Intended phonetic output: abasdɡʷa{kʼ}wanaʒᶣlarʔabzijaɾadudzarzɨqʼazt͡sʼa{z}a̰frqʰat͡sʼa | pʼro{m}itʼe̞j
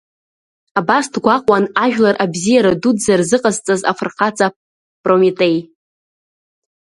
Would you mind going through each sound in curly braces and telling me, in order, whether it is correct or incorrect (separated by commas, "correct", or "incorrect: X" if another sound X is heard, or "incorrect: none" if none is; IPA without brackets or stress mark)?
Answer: incorrect: qʼ, correct, correct